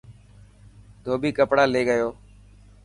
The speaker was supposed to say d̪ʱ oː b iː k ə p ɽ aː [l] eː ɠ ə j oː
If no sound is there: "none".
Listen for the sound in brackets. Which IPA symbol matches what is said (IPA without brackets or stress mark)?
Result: l